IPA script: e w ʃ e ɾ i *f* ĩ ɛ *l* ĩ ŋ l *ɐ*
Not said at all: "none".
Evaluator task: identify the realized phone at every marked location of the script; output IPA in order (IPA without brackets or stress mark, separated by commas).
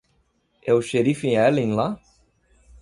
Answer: f, l, a